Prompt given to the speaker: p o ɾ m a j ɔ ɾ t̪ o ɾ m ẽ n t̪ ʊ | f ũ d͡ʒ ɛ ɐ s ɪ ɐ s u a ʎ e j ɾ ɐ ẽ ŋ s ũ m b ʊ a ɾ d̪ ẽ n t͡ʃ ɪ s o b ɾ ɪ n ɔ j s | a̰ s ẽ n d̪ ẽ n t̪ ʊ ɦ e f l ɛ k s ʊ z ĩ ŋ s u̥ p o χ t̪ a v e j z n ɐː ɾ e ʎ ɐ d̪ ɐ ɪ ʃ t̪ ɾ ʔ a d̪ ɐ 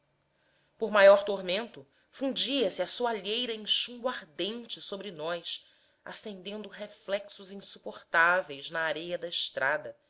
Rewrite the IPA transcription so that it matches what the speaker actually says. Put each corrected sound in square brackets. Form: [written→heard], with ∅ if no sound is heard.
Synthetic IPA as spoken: p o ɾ m a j ɔ ɾ t̪ o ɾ m ẽ n t̪ ʊ | f ũ d͡ʒ [ɛ→i] ɐ s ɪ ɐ s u a ʎ e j ɾ ɐ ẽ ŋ [s→ʃ] ũ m b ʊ a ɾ d̪ ẽ n t͡ʃ ɪ s o b ɾ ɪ n ɔ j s | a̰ s ẽ n d̪ ẽ n [t̪→d̪] ʊ ɦ e f l ɛ k s ʊ z ĩ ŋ s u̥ p o χ t̪ a v e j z n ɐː ɾ e [ʎ→j] ɐ d̪ ɐ ɪ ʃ t̪ ɾ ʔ a d̪ ɐ

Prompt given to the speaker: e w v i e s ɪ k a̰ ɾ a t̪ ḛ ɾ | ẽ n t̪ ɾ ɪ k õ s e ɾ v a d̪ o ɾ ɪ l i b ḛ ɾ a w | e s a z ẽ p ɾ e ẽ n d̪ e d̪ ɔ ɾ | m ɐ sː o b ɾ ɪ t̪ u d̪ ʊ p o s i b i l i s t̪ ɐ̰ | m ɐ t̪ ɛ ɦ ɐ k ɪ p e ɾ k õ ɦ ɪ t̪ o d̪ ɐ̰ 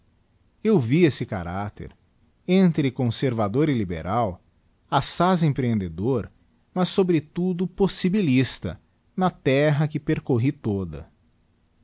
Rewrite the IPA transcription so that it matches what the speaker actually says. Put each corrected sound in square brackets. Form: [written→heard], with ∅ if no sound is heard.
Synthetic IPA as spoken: e w v i e s ɪ k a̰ ɾ a t̪ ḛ ɾ | ẽ n t̪ ɾ ɪ k õ s e ɾ v a d̪ o ɾ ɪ l i b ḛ ɾ a w | [e→a] s a z ẽ p ɾ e ẽ n d̪ e d̪ [ɔ→o] ɾ | m ɐ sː o b ɾ ɪ t̪ u d̪ ʊ p o s i b i l i s t̪ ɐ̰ | [m→n] ɐ t̪ ɛ ɦ ɐ k ɪ p e ɾ k [õ→o] ɦ [ɪ→i] t̪ o d̪ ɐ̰

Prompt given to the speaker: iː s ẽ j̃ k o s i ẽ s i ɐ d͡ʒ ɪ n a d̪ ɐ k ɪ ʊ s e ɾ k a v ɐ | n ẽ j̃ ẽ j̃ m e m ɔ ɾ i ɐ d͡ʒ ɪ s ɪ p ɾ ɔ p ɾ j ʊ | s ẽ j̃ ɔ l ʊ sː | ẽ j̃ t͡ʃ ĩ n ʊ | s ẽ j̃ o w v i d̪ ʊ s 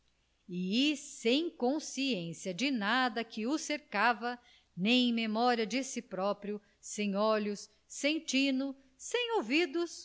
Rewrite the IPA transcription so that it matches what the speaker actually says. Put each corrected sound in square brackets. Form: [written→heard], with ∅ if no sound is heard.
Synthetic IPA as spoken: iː s ẽ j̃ k [o→õ] s i ẽ s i ɐ d͡ʒ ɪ n a d̪ ɐ k ɪ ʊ s e ɾ k a v ɐ | n ẽ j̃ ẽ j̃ m e m ɔ ɾ i ɐ d͡ʒ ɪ s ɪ p ɾ ɔ p ɾ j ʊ | s ẽ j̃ ɔ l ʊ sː | ẽ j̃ t͡ʃ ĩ n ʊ | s ẽ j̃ o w v i d̪ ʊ s

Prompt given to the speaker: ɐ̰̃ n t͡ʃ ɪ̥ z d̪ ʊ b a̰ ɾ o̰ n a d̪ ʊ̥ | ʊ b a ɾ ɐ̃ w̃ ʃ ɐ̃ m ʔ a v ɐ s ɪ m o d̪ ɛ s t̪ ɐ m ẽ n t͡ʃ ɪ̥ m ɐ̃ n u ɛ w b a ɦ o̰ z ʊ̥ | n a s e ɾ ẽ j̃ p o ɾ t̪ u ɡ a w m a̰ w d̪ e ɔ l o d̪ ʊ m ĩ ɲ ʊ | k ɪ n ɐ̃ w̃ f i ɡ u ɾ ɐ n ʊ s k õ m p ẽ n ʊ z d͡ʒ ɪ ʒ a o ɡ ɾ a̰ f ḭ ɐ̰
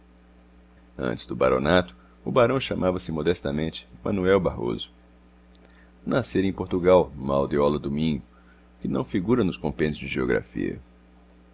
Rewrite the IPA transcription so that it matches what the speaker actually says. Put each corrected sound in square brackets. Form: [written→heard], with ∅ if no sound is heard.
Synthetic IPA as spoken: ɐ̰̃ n t͡ʃ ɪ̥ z d̪ ʊ b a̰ ɾ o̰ n a [d̪→t̪] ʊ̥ | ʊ b a ɾ ɐ̃ w̃ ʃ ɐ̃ m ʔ a v ɐ s ɪ m o d̪ ɛ s t̪ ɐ m ẽ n t͡ʃ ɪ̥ m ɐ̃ n u ɛ w b a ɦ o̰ z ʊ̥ | n a s e ɾ ẽ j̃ p o ɾ t̪ u ɡ a w m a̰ w d̪ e ɔ l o d̪ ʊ m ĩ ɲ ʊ | k ɪ n ɐ̃ w̃ f i ɡ u ɾ ɐ n ʊ s k õ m p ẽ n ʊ z d͡ʒ ɪ ʒ [a→e] o ɡ ɾ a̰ f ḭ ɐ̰

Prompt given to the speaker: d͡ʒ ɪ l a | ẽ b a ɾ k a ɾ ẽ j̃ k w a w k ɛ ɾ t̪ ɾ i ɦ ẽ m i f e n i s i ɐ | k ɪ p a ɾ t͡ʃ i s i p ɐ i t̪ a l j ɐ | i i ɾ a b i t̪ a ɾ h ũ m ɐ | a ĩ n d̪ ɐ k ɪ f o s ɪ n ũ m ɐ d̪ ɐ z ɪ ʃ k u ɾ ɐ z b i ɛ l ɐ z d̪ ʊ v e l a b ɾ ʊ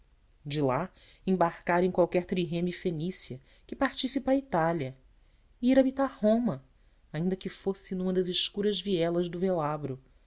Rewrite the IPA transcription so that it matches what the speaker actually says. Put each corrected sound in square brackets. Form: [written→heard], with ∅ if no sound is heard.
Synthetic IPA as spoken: d͡ʒ ɪ l a | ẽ b a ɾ k a ɾ ẽ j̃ k w a w k ɛ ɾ t̪ ɾ i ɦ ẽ m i f e n i s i ɐ | k ɪ p a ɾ t͡ʃ i s i p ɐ i t̪ a l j ɐ | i i ɾ a b i t̪ a ɾ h [ũ→õ] m ɐ | a ĩ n d̪ ɐ k ɪ f o s ɪ n ũ m ɐ d̪ ɐ z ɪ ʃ k u ɾ ɐ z [b→v] i ɛ l ɐ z d̪ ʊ v e l a b ɾ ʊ

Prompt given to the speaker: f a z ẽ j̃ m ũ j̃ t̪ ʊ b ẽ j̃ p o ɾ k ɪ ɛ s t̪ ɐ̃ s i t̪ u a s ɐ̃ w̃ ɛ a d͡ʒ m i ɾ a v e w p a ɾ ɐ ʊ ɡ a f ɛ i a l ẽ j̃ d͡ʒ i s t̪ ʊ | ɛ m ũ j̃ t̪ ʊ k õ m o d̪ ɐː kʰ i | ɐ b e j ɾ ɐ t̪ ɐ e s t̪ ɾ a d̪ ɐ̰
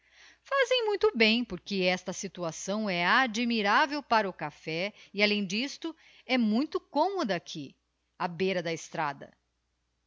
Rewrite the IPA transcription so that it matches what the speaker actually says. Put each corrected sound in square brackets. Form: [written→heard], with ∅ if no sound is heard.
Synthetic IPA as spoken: f a z ẽ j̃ m ũ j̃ t̪ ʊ b ẽ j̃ p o ɾ k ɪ ɛ s t̪ [ɐ̃→ɐ] s i t̪ u a s ɐ̃ w̃ ɛ a d͡ʒ m i ɾ a v e w p a ɾ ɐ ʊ [ɡ→k] a f ɛ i a l ẽ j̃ d͡ʒ i s t̪ ʊ | ɛ m ũ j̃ t̪ ʊ k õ m o d̪ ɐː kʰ i | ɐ b e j ɾ ɐ [t̪→d̪] ɐ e s t̪ ɾ a d̪ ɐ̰

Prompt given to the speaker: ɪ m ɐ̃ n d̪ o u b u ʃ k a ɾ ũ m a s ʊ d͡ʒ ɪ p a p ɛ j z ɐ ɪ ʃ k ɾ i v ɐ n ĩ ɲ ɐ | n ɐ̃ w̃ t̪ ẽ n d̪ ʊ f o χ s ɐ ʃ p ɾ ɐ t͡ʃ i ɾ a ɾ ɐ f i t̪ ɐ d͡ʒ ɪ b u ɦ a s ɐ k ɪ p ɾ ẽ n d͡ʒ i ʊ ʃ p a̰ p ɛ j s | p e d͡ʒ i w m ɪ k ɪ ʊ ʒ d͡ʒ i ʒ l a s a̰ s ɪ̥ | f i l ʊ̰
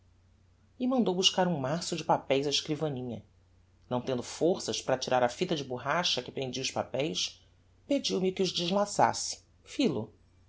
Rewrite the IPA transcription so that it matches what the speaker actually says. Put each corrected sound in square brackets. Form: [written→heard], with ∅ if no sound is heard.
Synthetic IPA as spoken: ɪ m ɐ̃ n d̪ o [u→w] b u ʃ k a ɾ ũ m a s ʊ d͡ʒ ɪ p a p ɛ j z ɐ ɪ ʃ k ɾ i v ɐ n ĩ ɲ ɐ | n ɐ̃ w̃ t̪ ẽ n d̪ ʊ f o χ s ɐ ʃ p ɾ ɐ t͡ʃ i ɾ a ɾ ɐ f i t̪ ɐ d͡ʒ ɪ b u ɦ a [s→ʃ] ɐ k ɪ p ɾ ẽ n d͡ʒ i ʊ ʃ p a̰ p ɛ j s | p e d͡ʒ i w m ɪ k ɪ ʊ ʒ d͡ʒ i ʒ l a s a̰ s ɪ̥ | f i l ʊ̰

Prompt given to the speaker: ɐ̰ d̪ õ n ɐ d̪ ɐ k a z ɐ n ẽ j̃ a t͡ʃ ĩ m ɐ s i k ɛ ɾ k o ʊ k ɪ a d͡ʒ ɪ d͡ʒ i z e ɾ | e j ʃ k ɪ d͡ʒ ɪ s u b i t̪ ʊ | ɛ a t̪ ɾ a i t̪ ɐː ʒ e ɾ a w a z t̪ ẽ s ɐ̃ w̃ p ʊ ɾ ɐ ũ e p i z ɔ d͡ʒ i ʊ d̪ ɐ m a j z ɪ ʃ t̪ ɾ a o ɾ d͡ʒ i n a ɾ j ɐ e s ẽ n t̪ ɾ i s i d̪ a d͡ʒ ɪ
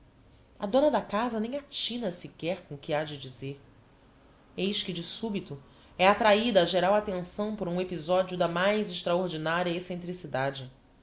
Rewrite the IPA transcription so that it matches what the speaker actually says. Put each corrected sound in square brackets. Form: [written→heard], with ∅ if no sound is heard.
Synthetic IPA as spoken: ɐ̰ d̪ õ n ɐ d̪ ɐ k a z ɐ n ẽ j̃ a t͡ʃ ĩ [m→n] ɐ s i k ɛ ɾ k [o→õ] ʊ k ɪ a d͡ʒ ɪ d͡ʒ i z e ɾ | e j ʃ k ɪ d͡ʒ ɪ s u b i t̪ ʊ | ɛ a t̪ ɾ a i [t̪→d̪] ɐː ʒ e ɾ a w a [z→∅] t̪ ẽ s ɐ̃ w̃ p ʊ ɾ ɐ ũ e p i z ɔ d͡ʒ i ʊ d̪ ɐ m a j z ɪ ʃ t̪ ɾ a o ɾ d͡ʒ i n a ɾ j ɐ e s ẽ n t̪ ɾ i s i d̪ a d͡ʒ ɪ

